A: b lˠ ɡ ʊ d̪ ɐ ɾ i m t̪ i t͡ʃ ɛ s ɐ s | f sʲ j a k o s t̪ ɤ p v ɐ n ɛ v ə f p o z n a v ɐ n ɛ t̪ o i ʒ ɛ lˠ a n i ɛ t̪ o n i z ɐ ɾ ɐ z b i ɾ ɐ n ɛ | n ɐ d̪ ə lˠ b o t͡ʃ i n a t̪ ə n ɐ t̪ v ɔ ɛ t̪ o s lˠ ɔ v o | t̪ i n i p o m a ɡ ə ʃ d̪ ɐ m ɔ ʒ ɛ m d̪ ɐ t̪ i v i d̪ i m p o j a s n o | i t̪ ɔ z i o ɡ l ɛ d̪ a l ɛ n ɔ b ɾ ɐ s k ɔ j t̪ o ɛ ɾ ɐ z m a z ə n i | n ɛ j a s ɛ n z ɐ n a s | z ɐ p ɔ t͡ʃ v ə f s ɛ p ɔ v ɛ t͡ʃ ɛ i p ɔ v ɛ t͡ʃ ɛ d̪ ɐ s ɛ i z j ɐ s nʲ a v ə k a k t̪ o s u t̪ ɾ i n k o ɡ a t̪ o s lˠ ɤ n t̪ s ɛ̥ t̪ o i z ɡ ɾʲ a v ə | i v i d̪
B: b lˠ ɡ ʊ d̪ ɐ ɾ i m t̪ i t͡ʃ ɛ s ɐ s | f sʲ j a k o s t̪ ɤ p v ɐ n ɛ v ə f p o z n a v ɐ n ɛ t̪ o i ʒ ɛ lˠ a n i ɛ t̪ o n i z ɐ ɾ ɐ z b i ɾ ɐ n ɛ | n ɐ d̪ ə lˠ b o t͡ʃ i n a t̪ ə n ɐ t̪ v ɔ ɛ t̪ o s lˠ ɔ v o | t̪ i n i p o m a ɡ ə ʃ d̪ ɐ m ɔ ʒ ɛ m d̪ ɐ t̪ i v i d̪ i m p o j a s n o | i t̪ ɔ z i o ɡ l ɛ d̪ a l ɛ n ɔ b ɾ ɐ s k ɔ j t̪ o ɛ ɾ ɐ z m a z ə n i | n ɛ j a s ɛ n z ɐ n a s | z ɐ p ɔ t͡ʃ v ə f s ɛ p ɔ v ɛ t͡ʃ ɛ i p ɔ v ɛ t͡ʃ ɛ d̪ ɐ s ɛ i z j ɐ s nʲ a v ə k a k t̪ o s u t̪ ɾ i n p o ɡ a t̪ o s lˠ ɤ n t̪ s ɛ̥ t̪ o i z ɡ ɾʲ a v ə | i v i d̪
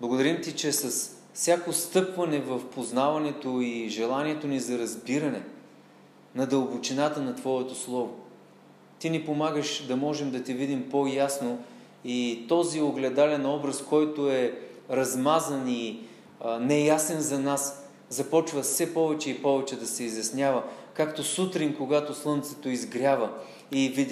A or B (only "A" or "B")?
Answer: A